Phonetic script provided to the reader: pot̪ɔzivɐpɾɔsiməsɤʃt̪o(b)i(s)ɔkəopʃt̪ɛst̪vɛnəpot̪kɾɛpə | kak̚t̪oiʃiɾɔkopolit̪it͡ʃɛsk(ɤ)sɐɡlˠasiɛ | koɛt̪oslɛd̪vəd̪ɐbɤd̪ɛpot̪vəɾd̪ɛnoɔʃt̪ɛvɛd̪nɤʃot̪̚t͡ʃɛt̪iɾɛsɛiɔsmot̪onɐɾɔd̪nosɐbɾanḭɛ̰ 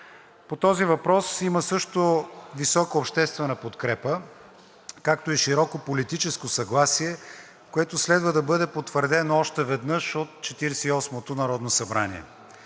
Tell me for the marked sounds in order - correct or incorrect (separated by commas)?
incorrect, correct, incorrect